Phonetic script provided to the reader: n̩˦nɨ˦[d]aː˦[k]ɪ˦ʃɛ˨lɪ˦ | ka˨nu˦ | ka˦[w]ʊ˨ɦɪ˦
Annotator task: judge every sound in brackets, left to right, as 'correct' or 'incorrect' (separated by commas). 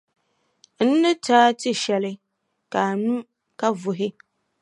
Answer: incorrect, incorrect, incorrect